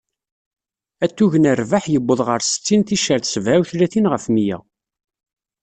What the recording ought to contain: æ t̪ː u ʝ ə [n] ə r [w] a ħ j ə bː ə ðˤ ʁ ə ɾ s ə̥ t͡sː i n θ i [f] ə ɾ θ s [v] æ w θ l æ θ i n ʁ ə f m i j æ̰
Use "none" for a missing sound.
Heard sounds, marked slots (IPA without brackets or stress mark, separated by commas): n, v, ʃ, v